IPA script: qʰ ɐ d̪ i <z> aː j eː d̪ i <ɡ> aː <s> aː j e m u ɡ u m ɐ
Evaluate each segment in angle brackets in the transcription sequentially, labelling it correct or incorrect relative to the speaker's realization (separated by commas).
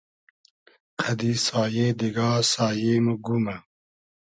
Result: incorrect, correct, correct